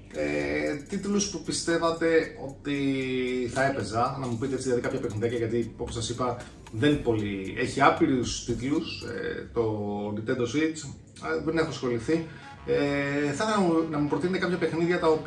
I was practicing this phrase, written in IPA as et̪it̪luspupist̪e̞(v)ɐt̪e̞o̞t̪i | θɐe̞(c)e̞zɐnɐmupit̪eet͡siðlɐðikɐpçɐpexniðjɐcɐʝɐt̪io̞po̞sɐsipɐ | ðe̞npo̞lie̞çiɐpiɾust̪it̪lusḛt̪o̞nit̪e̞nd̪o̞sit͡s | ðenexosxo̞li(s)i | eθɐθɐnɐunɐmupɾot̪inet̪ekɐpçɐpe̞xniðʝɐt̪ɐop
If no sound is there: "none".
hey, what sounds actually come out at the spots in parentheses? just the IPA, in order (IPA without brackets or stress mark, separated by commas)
v, p, θ